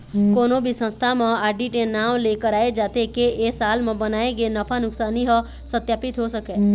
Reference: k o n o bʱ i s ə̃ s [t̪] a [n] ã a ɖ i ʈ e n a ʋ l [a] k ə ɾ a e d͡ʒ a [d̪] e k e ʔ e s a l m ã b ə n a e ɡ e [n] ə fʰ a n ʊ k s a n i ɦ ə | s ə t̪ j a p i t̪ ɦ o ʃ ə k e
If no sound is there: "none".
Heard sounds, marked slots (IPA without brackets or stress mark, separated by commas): t̪ʰ, m, e, t̪, n